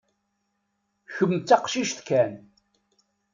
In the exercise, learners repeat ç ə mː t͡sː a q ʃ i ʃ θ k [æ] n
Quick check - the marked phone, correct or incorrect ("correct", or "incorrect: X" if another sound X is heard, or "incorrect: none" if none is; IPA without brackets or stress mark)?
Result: correct